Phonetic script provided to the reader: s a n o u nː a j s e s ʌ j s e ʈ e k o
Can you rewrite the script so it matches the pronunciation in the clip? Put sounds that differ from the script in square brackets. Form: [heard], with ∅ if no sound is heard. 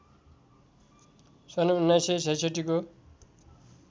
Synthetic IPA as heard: s [ʌ] n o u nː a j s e s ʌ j s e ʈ [i] k o